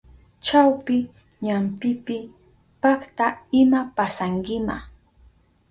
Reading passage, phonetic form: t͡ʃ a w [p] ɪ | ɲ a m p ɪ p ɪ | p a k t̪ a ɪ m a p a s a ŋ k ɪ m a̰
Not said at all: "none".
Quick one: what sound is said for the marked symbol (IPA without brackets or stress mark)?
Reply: p